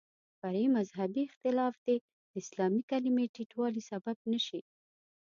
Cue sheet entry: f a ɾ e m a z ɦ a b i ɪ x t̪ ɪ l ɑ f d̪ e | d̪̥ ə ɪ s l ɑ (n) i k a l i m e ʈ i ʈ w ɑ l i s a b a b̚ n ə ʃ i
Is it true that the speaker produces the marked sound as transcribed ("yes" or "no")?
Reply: no